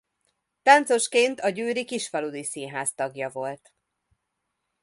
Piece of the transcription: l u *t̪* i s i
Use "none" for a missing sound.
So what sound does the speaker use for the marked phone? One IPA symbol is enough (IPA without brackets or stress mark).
d̪